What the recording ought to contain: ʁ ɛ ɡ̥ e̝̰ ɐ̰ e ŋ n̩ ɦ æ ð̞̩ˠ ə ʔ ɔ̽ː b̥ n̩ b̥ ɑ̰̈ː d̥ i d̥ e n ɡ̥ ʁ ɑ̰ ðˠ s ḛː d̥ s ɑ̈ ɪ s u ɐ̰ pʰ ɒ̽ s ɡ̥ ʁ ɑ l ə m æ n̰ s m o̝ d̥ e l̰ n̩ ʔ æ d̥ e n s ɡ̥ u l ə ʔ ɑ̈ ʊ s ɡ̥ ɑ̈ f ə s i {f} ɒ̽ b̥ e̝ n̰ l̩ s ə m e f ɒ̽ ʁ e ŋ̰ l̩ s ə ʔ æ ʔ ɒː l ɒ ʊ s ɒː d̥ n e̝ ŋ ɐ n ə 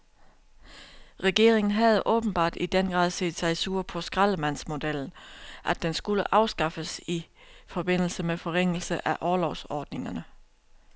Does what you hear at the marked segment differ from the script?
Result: no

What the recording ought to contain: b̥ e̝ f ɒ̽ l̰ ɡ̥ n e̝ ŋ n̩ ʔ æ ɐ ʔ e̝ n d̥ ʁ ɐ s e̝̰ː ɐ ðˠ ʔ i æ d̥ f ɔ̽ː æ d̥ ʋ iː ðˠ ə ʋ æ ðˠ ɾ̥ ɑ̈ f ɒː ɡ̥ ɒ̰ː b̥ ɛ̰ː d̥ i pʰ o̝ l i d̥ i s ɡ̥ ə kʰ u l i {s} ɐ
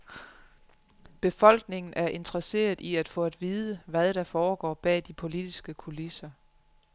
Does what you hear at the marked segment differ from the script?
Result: no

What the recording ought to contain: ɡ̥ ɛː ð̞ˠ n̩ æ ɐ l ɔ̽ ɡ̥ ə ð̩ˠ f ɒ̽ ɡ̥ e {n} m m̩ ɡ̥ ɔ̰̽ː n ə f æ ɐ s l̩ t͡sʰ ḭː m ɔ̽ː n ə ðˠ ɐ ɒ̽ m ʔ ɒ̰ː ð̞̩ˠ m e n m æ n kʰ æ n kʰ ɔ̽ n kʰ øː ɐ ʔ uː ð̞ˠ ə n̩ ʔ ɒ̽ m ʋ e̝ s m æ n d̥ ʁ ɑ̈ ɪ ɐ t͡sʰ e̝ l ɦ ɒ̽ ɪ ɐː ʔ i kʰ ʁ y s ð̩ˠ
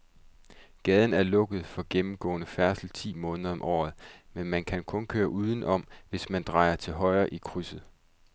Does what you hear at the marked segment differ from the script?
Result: yes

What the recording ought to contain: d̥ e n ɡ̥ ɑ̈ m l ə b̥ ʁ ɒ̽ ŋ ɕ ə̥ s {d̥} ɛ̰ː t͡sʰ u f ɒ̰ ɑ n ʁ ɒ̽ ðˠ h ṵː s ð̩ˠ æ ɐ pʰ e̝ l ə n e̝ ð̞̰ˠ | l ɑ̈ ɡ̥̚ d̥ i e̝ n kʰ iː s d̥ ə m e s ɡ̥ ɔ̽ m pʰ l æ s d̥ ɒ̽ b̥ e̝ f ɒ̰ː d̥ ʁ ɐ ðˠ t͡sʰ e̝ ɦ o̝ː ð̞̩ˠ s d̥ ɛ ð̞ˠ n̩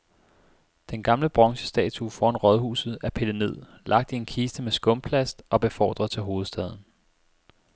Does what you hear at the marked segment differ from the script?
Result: no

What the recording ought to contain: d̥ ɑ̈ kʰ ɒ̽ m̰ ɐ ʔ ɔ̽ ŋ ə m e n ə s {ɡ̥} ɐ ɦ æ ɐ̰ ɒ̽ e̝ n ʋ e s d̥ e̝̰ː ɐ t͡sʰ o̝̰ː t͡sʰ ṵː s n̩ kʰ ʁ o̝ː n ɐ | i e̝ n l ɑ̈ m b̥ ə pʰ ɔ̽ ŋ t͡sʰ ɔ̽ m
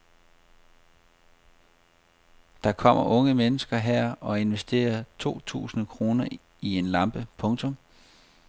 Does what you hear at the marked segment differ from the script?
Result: no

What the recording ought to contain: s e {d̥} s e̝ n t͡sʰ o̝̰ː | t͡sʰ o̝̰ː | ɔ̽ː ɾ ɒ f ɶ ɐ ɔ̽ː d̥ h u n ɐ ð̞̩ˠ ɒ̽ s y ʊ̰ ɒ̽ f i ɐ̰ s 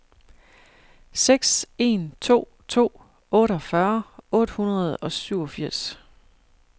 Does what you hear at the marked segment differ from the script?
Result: yes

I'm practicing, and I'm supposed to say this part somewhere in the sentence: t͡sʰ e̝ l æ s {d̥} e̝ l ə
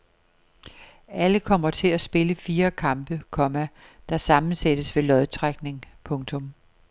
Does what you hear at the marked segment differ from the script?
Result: yes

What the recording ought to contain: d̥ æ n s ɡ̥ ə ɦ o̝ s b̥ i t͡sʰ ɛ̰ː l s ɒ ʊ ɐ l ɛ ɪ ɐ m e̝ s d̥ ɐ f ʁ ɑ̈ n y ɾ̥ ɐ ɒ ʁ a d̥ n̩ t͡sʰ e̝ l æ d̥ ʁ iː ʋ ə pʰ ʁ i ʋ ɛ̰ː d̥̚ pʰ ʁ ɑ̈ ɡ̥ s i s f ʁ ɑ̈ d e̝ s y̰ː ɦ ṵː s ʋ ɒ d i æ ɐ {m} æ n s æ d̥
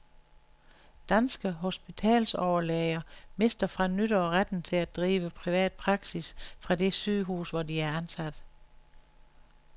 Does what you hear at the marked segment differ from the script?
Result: yes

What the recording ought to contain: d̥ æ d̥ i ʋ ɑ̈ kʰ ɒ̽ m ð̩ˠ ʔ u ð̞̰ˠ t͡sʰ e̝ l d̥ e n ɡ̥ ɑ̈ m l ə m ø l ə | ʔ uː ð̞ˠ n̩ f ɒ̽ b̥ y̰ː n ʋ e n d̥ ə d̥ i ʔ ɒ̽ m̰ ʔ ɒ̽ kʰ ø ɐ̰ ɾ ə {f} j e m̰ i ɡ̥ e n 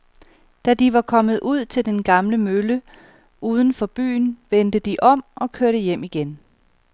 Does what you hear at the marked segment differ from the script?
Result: yes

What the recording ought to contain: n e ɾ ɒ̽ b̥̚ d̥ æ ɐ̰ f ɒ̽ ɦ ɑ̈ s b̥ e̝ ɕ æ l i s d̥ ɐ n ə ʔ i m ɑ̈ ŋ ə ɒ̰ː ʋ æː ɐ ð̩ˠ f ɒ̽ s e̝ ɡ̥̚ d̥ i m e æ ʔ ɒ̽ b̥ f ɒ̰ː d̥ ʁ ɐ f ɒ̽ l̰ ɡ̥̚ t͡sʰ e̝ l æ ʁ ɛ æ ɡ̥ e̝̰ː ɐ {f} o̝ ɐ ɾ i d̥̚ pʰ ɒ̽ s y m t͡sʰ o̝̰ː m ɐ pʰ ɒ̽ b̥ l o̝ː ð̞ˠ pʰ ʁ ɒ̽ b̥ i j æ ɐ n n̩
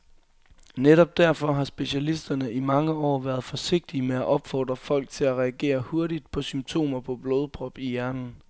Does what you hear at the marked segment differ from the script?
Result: yes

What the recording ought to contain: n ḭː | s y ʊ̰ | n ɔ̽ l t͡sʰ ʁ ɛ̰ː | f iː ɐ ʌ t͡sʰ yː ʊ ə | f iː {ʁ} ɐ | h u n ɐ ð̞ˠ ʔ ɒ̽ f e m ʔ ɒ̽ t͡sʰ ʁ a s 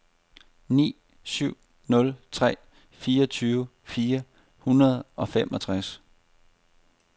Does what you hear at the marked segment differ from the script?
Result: yes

